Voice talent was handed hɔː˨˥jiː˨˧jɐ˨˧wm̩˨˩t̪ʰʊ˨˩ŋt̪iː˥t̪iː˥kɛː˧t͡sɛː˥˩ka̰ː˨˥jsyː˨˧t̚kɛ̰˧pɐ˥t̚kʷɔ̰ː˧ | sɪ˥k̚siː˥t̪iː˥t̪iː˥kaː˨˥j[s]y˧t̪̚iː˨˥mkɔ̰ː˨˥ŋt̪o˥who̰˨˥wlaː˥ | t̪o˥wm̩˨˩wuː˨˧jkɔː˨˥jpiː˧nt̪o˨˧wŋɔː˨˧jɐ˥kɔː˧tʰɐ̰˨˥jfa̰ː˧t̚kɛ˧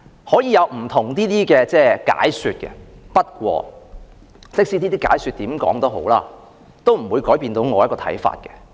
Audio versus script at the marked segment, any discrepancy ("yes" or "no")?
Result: no